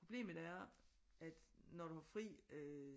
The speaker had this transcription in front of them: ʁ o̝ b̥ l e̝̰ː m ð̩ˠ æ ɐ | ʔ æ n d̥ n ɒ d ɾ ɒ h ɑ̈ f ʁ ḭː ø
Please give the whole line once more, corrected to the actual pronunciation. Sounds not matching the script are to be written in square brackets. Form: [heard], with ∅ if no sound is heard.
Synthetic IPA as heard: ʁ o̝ b̥ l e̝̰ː m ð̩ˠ æ ɐ | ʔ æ [∅] d̥ n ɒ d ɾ [u] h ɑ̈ f ʁ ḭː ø